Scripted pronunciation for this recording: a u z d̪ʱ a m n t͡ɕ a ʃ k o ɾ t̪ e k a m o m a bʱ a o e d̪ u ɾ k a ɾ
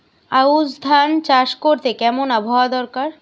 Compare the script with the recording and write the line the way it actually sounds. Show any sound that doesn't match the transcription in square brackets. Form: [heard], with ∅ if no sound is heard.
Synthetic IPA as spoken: a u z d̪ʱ a [∅] n t͡ɕ a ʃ k o ɾ t̪ e k [ɛ] m o [n] a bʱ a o [a] d̪ [ɔ] ɾ k a ɾ